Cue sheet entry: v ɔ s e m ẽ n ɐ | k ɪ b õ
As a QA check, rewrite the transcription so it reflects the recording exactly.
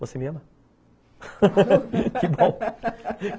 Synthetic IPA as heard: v o s e m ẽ m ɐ | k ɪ b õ